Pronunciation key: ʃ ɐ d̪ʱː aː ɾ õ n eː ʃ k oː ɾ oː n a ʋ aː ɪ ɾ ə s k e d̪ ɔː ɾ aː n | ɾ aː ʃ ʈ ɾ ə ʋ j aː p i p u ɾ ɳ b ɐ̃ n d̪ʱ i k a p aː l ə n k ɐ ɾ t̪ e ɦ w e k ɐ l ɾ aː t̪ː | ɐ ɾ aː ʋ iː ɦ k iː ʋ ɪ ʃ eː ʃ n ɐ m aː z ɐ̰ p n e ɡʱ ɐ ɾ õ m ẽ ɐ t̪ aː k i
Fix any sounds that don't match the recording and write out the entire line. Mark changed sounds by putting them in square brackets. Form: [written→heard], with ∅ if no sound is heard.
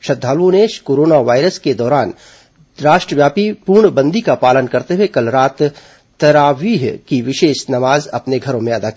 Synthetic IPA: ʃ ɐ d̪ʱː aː [ɾ→l] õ n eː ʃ k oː ɾ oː n a ʋ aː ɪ ɾ ə s k e d̪ ɔː ɾ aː n | ɾ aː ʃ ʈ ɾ ə ʋ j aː p i p u ɾ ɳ b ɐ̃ n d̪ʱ i k a p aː l ə n k ɐ ɾ t̪ e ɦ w e k ɐ l ɾ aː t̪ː | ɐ ɾ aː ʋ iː ɦ k [iː→i] ʋ ɪ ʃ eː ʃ n ɐ m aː z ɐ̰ p n e ɡʱ ɐ ɾ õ m ẽ ɐ [t̪→d̪] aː k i

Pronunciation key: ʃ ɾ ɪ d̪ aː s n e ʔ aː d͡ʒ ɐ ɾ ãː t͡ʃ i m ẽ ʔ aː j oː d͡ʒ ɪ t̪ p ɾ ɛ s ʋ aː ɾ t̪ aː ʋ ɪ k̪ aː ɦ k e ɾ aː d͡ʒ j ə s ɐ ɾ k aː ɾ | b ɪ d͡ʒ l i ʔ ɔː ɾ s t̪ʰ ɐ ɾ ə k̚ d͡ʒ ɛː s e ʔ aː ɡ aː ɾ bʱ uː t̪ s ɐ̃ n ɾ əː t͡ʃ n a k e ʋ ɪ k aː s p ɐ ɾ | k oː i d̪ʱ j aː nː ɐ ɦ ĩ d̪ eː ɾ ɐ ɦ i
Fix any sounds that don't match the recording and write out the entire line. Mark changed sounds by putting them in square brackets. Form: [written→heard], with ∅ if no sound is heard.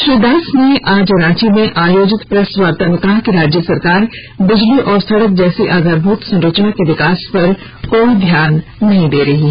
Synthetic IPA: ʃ ɾ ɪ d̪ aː s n e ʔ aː d͡ʒ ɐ ɾ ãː t͡ʃ i m ẽ ʔ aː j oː d͡ʒ ɪ t̪ p ɾ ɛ s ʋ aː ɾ t̪ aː ʋ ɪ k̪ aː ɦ k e ɾ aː d͡ʒ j ə s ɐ ɾ k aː ɾ | b ɪ d͡ʒ l i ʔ ɔː ɾ s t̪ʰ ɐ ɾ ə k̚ d͡ʒ ɛː s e ʔ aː ɡ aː ɾ bʱ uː t̪ s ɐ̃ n ɾ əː t͡ʃ n a k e ʋ ɪ k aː s p ɐ ɾ | k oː i d̪ʱ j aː nː ɐ ɦ ĩ d̪ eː ɾ ɐ ɦ i

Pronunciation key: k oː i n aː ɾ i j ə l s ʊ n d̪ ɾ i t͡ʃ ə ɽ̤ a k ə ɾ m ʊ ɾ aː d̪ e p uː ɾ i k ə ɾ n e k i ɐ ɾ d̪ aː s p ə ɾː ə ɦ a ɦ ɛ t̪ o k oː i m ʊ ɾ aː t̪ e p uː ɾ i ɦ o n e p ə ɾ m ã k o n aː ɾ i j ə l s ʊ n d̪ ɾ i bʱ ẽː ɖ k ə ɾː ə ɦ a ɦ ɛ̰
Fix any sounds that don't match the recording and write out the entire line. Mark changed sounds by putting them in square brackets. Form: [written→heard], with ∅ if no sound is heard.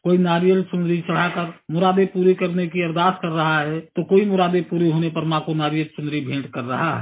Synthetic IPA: k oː i n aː ɾ i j ə l s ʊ n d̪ ɾ i t͡ʃ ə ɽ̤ a k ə ɾ m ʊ ɾ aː d̪ e p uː ɾ i k ə ɾ n e k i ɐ ɾ d̪ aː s [p→k] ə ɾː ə ɦ a ɦ ɛ t̪ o k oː i m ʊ ɾ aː [t̪→d̪] e p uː ɾ i ɦ o n e p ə ɾ m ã k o n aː ɾ i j ə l s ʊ n d̪ ɾ i bʱ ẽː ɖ k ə ɾː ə ɦ a ɦ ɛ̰

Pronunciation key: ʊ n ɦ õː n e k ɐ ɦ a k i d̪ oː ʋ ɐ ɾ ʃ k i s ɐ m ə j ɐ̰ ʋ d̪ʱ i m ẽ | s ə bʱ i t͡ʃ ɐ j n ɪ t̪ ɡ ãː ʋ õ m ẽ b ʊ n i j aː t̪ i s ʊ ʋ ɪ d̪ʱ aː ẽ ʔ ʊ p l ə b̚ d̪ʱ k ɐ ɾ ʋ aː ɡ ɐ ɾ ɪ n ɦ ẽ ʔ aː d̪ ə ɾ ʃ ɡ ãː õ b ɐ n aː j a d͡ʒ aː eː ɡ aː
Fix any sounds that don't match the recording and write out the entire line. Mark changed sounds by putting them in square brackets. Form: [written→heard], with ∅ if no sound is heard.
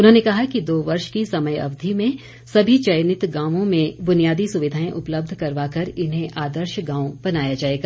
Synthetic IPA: ʊ n ɦ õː n e k ɐ ɦ a k i d̪ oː ʋ ɐ ɾ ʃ k i s ɐ m ə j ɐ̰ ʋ d̪ʱ i m ẽ | s [ə→ɐ] bʱ i t͡ʃ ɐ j n ɪ t̪ ɡ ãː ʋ õ m ẽ b ʊ n i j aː [t̪→d̪] i s ʊ ʋ ɪ d̪ʱ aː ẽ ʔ ʊ p l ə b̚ d̪ʱ k ɐ ɾ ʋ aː [ɡ→k] ɐ ɾ ɪ n ɦ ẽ ʔ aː d̪ ə ɾ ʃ ɡ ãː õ b ɐ n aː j a d͡ʒ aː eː ɡ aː

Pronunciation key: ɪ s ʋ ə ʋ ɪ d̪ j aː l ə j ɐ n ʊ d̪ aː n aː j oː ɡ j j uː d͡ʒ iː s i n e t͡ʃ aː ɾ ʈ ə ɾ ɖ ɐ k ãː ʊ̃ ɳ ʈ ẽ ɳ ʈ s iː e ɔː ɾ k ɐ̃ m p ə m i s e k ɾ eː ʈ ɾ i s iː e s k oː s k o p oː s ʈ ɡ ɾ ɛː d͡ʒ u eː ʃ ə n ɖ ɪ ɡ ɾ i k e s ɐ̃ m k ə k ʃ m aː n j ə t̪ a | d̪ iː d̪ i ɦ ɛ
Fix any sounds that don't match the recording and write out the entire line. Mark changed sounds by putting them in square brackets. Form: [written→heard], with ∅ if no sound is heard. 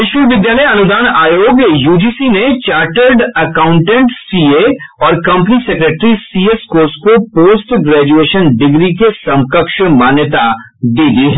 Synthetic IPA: ɪ [s→ʃ] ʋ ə ʋ ɪ d̪ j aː l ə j ɐ n ʊ d̪ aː n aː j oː ɡ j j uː d͡ʒ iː s i n e t͡ʃ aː ɾ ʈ ə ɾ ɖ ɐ k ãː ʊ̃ ɳ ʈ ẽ ɳ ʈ s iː e ɔː ɾ k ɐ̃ m p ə [m→n] i s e k ɾ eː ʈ ɾ i s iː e s k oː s k o p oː s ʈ ɡ ɾ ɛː d͡ʒ u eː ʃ ə n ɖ ɪ ɡ ɾ i k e s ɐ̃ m k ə k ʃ m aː n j ə t̪ a | d̪ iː d̪ i ɦ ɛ

